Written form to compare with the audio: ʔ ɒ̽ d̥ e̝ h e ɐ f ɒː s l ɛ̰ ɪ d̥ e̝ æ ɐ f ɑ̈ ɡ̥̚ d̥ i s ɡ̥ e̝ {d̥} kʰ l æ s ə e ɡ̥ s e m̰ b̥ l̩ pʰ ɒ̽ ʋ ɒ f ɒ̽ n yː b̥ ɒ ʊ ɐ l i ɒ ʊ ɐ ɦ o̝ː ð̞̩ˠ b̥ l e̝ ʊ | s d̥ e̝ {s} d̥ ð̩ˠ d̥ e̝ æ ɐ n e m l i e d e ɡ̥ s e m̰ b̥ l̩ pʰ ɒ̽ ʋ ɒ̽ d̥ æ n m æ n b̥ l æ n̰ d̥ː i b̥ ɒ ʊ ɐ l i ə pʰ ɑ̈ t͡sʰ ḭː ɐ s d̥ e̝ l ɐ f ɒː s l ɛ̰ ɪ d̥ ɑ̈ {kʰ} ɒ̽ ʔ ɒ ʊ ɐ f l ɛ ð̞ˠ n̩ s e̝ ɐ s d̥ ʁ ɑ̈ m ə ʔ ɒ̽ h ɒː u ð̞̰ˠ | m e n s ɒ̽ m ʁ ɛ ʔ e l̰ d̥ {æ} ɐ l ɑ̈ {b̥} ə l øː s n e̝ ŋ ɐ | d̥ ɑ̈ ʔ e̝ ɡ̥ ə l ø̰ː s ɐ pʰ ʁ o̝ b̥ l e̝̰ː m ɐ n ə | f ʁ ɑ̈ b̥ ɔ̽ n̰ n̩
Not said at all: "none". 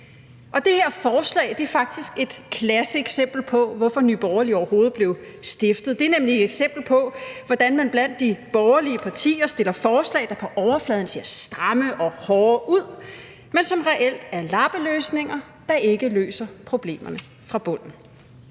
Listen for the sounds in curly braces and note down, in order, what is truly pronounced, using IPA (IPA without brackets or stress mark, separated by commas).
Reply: d̥, f, pʰ, æ, b̥